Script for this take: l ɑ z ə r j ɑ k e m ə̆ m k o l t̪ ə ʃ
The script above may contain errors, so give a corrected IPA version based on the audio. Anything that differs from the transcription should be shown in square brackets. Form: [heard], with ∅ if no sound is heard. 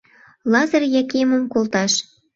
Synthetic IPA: l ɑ z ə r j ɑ k e m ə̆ m k o l t̪ [ɑ] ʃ

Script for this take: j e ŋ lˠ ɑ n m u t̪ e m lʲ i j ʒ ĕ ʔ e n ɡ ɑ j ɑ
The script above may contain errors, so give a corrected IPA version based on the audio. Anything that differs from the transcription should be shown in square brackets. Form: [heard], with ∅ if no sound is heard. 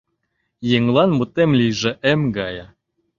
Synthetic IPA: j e ŋ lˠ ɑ n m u t̪ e m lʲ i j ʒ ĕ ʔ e [m] ɡ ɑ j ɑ

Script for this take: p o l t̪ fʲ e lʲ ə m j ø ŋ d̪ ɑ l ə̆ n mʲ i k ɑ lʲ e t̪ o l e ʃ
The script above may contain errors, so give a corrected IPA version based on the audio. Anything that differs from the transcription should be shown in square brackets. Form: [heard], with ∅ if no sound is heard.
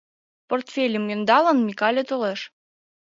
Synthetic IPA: p o [r] t̪ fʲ e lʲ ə m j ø [n] d̪ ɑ l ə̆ n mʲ i k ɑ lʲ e t̪ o l e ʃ

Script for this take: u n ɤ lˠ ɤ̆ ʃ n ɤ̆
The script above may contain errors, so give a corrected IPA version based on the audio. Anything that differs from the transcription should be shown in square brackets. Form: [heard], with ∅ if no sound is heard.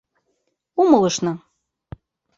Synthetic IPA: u [m] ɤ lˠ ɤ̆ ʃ n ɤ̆

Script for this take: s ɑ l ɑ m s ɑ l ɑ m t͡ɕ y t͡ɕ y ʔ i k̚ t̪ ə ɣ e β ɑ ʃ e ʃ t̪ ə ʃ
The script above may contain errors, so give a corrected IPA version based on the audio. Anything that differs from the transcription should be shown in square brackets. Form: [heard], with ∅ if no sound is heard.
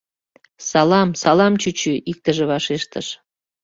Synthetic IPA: s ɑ l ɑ m s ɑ l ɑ m t͡ɕ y t͡ɕ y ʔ i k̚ t̪ ə [ʒ] e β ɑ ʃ e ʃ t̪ ə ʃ

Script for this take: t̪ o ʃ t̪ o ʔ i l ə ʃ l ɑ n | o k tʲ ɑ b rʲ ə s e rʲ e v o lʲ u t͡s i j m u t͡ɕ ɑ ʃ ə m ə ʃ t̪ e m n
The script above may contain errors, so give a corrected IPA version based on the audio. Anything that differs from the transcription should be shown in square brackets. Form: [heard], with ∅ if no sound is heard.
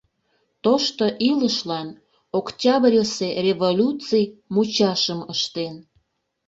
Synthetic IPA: t̪ o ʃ t̪ o ʔ i l ə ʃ l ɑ n | o k tʲ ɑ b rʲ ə s e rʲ e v o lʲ u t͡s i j m u t͡ɕ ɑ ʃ ə m ə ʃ t̪ e [∅] n

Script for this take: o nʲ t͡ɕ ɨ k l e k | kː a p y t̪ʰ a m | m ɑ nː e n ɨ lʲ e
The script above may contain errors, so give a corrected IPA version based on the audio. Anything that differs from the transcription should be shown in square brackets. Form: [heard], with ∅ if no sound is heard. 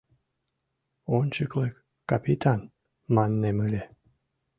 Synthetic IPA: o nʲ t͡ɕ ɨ k l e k | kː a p [i] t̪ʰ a [n] | m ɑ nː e [m] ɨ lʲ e

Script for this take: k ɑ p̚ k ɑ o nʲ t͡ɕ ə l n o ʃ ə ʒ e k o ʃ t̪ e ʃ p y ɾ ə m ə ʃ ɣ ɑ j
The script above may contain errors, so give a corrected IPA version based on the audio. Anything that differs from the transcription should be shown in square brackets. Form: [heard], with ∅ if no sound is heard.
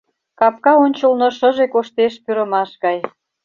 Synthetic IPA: k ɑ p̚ k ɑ o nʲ t͡ɕ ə l n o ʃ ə ʒ e k o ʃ t̪ e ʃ p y ɾ ə m [ɑ] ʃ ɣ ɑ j

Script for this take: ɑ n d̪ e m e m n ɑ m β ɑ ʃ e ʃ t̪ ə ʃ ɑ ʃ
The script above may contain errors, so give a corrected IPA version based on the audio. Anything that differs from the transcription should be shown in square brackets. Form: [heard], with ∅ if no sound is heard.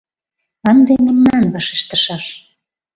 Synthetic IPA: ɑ n d̪ e m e m n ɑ [n] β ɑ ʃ e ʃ t̪ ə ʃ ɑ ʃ

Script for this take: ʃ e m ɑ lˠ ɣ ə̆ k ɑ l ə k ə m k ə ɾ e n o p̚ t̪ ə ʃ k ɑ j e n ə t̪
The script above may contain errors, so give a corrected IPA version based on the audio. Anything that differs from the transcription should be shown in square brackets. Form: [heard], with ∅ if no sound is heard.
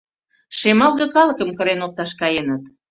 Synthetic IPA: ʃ e m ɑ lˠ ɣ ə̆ k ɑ l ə k ə m k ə ɾ e n o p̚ t̪ [ɑ] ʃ k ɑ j e n ə t̪

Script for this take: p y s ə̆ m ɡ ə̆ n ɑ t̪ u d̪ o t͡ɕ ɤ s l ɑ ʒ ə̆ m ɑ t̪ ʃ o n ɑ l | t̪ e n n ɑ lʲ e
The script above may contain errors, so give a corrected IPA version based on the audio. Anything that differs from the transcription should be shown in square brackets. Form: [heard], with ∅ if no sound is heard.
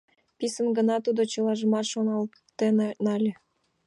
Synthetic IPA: p [i] s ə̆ [n] ɡ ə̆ n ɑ t̪ u d̪ o t͡ɕ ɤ [∅] l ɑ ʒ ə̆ m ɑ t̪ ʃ o n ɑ l | t̪ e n n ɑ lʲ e

